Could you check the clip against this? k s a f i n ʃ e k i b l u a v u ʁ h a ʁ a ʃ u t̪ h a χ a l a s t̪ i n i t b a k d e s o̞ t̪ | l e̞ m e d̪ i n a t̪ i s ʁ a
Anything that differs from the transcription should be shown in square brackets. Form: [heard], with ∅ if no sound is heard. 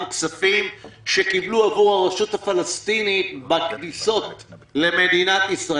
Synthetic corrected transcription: k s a f i [m] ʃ e k i b l u a v u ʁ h a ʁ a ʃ u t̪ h a [f] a l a s t̪ i n i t b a k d [i] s o̞ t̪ | l e̞ m e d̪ i n a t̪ i s ʁ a